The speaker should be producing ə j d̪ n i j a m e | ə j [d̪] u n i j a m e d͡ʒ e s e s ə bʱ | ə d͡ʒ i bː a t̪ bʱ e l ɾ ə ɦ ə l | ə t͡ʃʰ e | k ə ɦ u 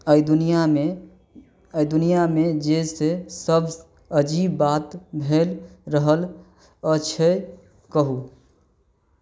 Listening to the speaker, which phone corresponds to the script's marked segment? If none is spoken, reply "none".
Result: d̪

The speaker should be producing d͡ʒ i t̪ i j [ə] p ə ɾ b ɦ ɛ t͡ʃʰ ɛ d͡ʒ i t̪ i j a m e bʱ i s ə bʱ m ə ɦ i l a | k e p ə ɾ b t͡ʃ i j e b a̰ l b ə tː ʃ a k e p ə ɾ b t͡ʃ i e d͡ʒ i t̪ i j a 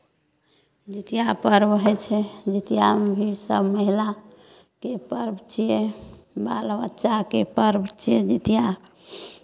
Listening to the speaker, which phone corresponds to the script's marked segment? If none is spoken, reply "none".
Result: a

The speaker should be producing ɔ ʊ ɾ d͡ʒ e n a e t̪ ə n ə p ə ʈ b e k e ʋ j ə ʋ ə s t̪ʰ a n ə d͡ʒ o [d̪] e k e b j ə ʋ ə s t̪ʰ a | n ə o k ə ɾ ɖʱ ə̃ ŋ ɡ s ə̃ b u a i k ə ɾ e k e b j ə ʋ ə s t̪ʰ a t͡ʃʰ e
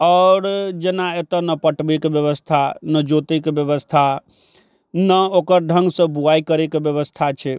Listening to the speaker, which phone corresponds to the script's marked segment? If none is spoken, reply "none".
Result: t̪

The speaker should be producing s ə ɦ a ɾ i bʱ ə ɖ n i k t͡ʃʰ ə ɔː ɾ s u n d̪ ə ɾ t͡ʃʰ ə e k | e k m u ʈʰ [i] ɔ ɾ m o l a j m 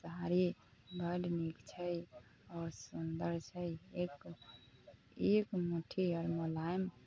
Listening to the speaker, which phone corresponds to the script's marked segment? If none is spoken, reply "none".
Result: i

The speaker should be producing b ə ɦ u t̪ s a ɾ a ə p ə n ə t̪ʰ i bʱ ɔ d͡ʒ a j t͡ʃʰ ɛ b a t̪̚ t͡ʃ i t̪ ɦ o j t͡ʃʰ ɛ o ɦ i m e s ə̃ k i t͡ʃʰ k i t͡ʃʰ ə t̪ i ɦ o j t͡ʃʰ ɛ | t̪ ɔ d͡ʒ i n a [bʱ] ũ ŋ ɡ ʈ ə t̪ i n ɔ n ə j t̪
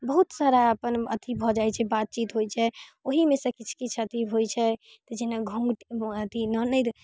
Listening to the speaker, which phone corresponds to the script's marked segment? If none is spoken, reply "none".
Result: ɡʱ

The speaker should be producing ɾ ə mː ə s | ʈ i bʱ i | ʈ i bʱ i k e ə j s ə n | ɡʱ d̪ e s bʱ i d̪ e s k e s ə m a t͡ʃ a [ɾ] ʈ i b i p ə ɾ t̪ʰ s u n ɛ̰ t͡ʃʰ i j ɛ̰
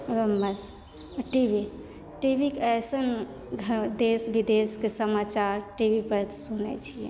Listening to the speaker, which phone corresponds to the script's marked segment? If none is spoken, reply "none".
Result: ɾ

